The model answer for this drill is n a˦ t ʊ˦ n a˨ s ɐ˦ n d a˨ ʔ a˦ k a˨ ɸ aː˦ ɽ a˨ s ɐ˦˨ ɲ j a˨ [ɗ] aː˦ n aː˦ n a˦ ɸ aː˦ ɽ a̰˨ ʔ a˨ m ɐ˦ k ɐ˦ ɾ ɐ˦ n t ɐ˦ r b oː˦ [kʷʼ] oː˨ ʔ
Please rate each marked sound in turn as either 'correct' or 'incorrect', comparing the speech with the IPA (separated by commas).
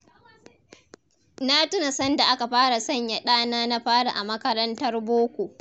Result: correct, incorrect